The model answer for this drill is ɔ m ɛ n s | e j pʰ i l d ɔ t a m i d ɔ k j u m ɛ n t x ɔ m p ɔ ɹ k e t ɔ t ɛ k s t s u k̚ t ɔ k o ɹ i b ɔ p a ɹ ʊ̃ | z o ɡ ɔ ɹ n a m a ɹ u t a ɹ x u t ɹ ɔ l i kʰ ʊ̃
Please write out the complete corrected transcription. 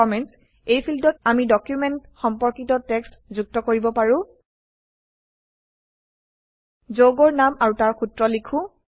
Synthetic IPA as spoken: ɔ m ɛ n s | e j pʰ i l d ɔ t a m i d ɔ k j u m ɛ n t x ɔ m p ɔ ɹ k i t ɔ t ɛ k s t z u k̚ t ɔ k o ɹ i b ɔ p a ɹ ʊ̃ | z o ɡ ɔ ɹ n a m a ɹ u t a ɹ x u t ɹ ɔ l i kʰ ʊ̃

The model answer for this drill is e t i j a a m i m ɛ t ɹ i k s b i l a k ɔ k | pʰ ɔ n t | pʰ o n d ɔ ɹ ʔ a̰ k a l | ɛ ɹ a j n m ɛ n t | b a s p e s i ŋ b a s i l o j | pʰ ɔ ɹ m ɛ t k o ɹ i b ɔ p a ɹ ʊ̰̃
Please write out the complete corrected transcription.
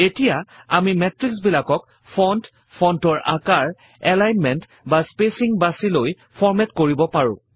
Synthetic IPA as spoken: e t i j a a m i m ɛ t ɹ i k s b i l a k ɔ k | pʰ ɔ n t | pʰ ɔ n t ɔ ɹ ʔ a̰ k a ɹ | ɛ l a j n m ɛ n t | b a s p e s i ŋ b a s i l o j | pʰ ɔ ɹ m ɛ t k o ɹ i b ɔ p a ɹ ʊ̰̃

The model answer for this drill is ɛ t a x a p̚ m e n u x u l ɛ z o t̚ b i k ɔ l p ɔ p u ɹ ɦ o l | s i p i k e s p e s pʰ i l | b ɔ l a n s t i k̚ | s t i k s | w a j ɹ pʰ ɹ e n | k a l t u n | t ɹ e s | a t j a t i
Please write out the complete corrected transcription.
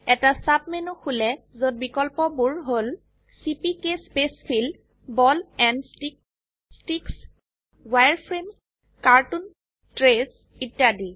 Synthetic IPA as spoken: ɛ t a s a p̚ m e n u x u l ɛ z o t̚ b i k ɔ l p ɔ b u ɹ ɦ o l | s i p i k e s p e s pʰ i l | b ɔ l ɛ n s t i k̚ | s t i k s | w a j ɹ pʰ ɹ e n | k a ɹ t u n | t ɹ e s | i t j a d i

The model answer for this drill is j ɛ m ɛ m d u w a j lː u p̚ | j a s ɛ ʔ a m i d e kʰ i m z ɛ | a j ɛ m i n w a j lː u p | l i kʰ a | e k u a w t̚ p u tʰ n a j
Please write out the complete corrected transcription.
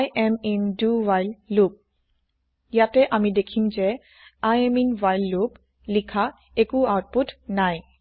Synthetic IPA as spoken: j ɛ m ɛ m d u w a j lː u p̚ | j a t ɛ ʔ a m i d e kʰ i m z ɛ | a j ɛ m i n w a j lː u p | l i kʰ a | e k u a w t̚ p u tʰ n a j

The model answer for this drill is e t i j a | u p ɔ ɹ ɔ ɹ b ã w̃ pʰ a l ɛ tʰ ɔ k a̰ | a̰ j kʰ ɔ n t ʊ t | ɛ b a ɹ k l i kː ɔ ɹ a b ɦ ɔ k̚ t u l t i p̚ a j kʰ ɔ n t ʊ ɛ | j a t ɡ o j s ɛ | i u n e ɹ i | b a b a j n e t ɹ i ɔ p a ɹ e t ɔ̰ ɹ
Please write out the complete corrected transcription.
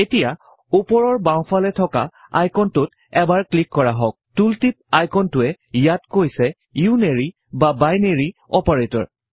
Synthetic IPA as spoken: e t i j a | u p ɔ ɹ ɔ ɹ b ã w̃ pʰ a l ɛ tʰ ɔ k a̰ | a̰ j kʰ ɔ n t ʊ t | ɛ b a ɹ k l i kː ɔ ɹ a ɦ ɔ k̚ t u l t i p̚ a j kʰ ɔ n t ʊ ɛ | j a t k o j s ɛ | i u n e ɹ i | b a b a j n e ɹ i ɔ p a ɹ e t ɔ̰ ɹ

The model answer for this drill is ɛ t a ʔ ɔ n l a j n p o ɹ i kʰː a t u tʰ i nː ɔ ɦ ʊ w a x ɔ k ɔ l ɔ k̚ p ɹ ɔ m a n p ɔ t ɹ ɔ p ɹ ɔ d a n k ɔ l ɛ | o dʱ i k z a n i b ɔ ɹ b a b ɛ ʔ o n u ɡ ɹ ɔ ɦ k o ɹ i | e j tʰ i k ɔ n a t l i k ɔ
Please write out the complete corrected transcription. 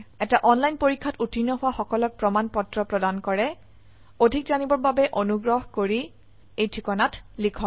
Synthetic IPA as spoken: ɛ t a ʔ ɔ n l a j n p o ɹ i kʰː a t u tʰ i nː ɔ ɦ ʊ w a x ɔ k ɔ l ɔ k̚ p ɹ ɔ m a n p ɔ t ɹ ɔ p ɹ ɔ d a n k ɔ ɹ ɛ | o dʱ i k z a n i b ɔ ɹ b a b ɛ ʔ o n u ɡ ɹ ɔ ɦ k o ɹ i | e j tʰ i k ɔ n a t l i kʰ ɔ

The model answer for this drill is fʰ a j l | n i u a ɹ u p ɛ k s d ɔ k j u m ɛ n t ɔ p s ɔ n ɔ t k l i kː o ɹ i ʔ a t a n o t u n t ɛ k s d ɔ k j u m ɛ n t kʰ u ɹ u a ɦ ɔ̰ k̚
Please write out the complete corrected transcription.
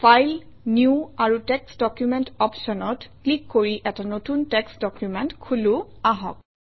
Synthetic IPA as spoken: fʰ a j l | n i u a ɹ u t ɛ k s d ɔ k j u m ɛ n t ɔ p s ɔ n ɔ t k l i kː o ɹ i ʔ ɛ t a n o t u n t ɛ k s d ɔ k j u m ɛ n t kʰ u l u a ɦ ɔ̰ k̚

